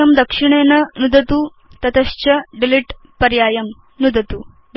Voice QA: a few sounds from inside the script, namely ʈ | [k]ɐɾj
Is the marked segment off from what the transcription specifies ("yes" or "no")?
yes